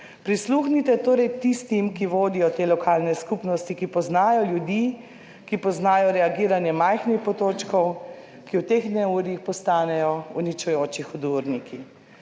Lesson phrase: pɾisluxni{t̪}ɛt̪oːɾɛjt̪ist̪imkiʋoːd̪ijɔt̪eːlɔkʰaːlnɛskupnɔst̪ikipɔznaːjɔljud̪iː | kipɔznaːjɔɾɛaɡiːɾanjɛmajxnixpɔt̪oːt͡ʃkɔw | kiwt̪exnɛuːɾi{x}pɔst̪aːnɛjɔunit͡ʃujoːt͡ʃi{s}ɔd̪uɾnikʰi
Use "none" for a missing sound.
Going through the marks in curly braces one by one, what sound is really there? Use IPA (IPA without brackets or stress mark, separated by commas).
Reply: t̪, x, x